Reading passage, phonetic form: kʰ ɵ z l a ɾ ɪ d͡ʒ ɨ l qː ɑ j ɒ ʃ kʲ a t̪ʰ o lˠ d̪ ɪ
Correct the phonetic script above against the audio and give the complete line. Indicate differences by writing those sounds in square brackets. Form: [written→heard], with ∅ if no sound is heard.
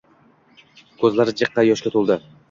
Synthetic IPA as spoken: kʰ ɵ z l a ɾ ɪ d͡ʒ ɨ [l→∅] qː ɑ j ɒ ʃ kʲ a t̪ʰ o lˠ d̪ ɪ